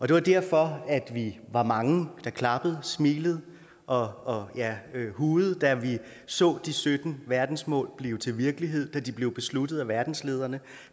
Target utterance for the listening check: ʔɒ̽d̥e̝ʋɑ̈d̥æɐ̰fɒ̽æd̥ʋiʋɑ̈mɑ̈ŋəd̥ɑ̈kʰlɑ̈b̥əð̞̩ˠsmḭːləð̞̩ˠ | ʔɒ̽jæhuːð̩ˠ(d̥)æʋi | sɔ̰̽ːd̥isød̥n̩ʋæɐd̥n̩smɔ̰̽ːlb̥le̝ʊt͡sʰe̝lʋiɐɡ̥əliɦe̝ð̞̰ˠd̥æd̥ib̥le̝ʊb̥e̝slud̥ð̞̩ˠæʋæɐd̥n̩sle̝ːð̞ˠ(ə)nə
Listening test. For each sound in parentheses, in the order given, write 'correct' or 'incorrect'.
correct, incorrect

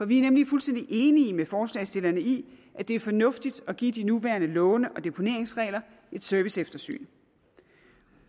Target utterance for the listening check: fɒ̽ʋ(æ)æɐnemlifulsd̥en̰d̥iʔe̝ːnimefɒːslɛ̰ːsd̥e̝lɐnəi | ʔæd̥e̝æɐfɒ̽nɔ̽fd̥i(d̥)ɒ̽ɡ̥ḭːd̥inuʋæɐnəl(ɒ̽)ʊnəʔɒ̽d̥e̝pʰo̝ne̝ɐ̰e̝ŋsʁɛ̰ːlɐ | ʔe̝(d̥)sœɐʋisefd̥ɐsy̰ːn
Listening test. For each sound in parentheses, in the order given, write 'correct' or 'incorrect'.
incorrect, correct, incorrect, correct

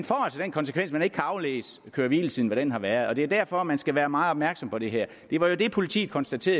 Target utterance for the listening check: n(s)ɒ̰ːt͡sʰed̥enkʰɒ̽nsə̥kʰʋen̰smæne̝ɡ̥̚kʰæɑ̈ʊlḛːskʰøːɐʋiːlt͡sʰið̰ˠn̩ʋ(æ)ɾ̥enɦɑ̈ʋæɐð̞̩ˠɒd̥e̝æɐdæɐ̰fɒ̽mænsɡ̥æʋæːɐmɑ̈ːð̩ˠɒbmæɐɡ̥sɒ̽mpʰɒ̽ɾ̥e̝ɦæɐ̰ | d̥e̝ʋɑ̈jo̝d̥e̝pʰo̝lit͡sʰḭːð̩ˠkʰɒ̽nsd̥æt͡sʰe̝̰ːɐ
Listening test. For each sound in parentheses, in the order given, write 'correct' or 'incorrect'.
incorrect, correct

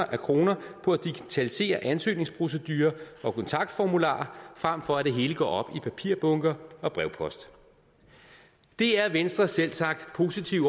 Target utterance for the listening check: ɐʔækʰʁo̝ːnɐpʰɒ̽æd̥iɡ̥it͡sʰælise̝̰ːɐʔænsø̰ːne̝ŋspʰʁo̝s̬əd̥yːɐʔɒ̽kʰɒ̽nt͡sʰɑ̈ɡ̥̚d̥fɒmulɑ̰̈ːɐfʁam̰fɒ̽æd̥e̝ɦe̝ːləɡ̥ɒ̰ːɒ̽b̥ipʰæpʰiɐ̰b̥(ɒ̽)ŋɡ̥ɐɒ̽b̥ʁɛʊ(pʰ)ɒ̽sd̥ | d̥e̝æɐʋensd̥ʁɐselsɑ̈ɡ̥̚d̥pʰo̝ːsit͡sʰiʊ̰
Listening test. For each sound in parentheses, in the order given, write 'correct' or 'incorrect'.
incorrect, correct

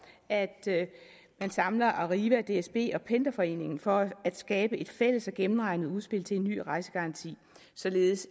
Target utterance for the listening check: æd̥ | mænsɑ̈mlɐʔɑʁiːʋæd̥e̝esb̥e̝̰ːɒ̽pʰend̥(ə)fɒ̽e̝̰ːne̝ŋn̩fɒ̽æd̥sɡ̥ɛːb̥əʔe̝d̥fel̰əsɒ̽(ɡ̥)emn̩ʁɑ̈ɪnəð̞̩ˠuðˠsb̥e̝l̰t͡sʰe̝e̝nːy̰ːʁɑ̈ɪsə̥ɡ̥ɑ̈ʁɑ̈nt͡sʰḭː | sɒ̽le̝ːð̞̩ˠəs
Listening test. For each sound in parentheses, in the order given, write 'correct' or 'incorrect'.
incorrect, correct

